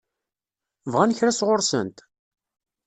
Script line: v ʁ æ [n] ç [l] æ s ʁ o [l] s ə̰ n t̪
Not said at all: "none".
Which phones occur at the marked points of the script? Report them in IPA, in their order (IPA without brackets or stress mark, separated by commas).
n, ɾ, ɾ